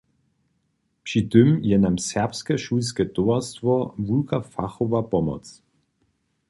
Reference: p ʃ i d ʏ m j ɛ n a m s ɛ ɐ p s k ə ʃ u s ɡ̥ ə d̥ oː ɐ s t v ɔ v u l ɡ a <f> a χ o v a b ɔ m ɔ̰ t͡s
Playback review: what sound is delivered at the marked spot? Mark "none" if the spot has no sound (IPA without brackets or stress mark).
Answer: f